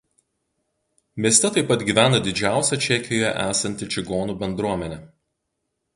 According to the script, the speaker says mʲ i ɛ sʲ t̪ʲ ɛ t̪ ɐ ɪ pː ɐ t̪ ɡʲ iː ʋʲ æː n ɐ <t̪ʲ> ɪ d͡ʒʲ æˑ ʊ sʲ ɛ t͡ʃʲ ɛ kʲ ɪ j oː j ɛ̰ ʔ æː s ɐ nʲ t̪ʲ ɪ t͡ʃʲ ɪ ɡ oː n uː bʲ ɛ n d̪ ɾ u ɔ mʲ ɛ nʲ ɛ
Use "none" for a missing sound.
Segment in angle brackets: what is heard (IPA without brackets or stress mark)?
d̪ʲ